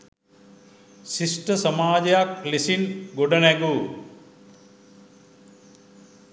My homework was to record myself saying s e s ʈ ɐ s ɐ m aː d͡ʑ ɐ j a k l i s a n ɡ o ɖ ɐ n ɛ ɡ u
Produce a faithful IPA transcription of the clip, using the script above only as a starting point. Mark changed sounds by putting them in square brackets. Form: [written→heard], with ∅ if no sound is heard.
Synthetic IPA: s [e→i] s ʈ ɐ s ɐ m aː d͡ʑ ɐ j a k l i s [a→i] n ɡ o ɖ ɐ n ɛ ɡ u